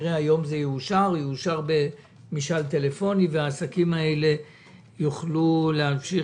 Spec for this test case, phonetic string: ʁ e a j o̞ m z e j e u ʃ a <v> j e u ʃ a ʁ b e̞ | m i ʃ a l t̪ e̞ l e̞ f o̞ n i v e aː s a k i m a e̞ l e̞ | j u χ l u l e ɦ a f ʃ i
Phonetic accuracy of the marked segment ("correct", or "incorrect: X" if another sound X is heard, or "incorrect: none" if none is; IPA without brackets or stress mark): incorrect: ʁ